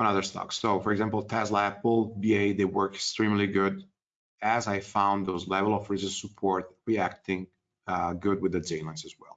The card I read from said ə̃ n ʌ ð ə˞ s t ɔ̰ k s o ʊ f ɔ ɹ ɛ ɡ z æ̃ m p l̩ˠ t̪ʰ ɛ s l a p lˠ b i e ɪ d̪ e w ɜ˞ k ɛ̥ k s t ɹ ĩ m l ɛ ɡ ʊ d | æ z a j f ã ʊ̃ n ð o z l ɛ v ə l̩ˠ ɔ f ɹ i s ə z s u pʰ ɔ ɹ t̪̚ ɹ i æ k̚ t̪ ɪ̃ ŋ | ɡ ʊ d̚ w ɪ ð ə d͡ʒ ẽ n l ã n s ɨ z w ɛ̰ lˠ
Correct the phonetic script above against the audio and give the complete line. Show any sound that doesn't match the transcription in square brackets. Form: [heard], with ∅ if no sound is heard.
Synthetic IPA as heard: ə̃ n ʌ ð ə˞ s t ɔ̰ k s o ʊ f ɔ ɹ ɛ ɡ z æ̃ m p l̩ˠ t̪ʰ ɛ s l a p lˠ b i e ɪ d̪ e w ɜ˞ k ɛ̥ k s t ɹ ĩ m l [i] ɡ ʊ d | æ z a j f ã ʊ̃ n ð o z l ɛ v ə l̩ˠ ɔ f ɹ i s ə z s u pʰ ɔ ɹ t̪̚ ɹ i æ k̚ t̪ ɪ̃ ŋ | ɡ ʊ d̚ w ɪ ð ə d͡ʒ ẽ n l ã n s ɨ z w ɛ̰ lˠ